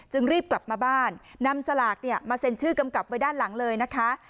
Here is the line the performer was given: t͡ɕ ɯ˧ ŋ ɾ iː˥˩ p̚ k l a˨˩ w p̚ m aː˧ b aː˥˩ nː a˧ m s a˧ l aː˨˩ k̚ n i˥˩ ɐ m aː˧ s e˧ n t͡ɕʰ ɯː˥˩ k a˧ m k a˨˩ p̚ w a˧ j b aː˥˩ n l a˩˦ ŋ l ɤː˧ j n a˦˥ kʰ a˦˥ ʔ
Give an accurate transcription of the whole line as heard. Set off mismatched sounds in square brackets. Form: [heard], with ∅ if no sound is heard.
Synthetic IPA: t͡ɕ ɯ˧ ŋ ɾ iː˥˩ p̚ k l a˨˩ [∅] p̚ m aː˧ b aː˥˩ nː a˧ m s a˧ l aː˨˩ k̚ n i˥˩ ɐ m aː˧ s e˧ n t͡ɕʰ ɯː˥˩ k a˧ m k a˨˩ p̚ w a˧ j [d] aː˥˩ n l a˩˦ ŋ l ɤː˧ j n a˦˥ kʰ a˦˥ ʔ